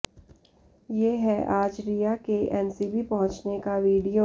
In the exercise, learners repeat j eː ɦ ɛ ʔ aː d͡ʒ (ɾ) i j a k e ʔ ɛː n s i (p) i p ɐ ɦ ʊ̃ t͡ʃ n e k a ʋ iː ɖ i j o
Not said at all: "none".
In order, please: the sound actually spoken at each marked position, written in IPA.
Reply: ɾ, b

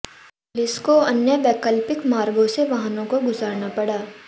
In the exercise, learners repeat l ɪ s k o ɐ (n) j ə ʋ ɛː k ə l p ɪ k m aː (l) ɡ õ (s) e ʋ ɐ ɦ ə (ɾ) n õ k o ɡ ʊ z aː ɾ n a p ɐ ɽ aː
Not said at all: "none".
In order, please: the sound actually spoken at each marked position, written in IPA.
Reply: n, ɾ, s, none

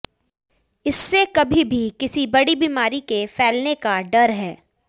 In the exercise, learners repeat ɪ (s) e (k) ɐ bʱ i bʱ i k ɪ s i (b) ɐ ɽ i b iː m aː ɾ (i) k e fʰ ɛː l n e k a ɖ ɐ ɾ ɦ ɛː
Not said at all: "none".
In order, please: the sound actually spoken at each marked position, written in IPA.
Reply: sː, k, b, i

